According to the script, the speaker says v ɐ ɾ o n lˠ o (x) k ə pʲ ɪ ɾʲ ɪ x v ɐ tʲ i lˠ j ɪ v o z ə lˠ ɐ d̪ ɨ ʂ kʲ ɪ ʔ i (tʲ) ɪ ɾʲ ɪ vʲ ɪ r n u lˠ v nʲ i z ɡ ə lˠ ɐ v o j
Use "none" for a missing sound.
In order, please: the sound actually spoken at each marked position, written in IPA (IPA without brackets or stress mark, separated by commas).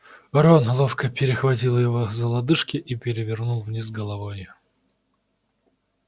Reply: f, pʲ